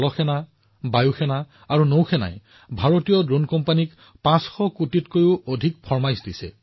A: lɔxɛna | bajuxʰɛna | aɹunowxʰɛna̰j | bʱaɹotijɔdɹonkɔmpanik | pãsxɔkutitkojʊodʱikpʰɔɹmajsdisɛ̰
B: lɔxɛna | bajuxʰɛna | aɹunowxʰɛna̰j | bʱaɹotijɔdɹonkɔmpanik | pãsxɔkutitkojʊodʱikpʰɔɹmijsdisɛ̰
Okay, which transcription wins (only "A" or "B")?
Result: A